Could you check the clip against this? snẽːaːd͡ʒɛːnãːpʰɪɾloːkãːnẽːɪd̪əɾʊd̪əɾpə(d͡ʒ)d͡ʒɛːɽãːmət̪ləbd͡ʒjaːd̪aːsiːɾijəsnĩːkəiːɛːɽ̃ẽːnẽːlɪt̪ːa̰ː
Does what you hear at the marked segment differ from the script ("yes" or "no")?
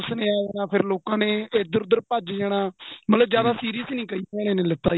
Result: no